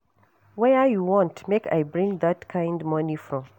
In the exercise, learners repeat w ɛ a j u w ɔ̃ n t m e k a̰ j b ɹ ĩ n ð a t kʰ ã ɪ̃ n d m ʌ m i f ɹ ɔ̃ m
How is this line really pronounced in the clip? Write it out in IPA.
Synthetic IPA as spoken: w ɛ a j u w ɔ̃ n t m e k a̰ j b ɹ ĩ ŋ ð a t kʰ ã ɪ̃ n d m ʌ n i f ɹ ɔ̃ m